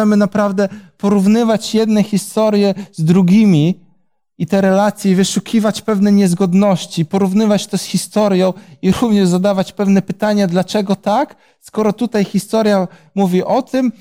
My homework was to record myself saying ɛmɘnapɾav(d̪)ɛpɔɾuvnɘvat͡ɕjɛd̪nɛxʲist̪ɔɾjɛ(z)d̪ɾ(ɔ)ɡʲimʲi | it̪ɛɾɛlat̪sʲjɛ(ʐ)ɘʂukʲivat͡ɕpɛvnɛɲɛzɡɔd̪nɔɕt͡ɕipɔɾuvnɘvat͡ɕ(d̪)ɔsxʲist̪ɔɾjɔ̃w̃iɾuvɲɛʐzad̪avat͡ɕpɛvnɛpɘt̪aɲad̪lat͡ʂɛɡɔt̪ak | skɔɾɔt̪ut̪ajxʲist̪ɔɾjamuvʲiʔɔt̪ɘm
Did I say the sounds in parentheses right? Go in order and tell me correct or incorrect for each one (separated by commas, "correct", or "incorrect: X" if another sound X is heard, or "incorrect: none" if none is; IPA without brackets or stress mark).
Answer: correct, correct, incorrect: u, incorrect: v, incorrect: t̪